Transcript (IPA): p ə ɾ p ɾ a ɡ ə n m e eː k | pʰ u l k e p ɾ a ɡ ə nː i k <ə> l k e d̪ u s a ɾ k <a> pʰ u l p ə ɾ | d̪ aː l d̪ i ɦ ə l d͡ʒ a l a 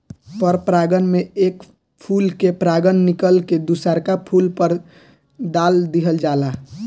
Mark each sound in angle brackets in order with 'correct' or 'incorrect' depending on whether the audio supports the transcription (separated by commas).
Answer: correct, correct